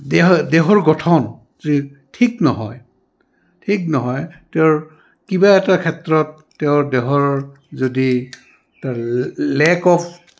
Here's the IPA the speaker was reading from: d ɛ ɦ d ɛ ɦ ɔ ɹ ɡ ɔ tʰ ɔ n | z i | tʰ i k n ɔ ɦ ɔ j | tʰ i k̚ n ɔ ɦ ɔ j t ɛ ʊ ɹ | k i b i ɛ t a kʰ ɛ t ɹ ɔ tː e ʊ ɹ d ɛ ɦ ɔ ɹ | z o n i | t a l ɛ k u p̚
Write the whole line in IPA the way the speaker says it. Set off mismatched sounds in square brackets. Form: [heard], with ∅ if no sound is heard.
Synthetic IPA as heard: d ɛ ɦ d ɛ ɦ ɔ ɹ ɡ ɔ tʰ ɔ n | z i | tʰ i k n ɔ ɦ ɔ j | tʰ i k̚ n ɔ ɦ ɔ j t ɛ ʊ ɹ | k i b [a] ɛ t a kʰ ɛ t ɹ ɔ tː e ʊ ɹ d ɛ ɦ ɔ ɹ | z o [d] i | t a l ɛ k [ɔ] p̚